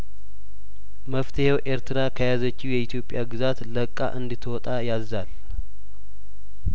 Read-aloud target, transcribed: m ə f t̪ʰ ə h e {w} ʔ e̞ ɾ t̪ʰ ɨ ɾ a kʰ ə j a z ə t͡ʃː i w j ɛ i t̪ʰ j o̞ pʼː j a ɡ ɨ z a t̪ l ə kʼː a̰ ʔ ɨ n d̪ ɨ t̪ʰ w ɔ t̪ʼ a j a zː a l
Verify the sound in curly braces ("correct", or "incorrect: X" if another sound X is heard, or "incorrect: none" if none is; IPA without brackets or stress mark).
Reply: correct